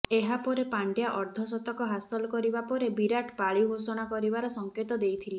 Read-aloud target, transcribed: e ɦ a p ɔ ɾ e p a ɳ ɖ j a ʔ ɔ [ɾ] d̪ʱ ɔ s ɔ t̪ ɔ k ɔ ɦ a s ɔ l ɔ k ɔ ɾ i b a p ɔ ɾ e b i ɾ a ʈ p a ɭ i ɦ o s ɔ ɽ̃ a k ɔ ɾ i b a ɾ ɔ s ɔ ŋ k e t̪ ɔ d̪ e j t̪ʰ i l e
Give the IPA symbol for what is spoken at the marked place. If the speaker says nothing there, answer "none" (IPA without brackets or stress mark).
ɾ